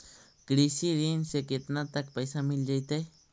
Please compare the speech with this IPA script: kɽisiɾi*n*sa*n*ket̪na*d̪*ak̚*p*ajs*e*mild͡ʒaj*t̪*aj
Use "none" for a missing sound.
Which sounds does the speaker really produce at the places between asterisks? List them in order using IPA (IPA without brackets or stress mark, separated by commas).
n, none, t̪, p, a, t̪